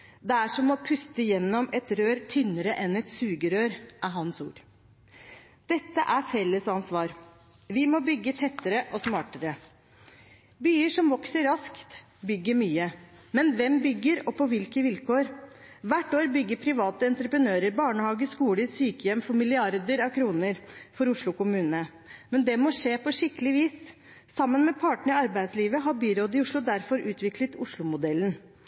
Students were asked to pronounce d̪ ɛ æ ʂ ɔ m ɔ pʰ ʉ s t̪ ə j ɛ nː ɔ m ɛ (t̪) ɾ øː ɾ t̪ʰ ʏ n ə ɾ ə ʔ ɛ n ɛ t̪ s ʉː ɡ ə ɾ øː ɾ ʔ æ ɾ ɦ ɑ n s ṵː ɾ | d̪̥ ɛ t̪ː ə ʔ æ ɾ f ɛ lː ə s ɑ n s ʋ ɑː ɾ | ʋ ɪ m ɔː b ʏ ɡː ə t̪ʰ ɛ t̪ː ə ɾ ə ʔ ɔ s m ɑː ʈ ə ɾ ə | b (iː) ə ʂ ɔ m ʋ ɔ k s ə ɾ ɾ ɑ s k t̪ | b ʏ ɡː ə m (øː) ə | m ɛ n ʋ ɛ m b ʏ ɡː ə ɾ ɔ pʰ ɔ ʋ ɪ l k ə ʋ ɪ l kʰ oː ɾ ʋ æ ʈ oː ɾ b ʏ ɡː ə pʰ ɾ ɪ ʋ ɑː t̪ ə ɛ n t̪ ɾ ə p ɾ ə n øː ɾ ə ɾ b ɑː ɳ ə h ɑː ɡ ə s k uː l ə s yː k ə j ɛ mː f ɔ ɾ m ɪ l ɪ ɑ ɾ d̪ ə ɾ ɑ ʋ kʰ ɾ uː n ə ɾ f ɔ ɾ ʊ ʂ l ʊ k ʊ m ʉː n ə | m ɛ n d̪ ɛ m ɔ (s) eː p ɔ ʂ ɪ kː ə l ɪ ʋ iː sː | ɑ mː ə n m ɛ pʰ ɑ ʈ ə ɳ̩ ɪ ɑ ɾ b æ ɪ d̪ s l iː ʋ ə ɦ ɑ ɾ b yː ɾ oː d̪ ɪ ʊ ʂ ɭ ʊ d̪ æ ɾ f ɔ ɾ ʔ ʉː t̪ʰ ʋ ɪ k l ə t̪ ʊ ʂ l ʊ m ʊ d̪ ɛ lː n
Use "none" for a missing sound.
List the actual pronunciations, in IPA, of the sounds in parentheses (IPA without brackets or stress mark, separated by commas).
t̪, yː, yː, ʂ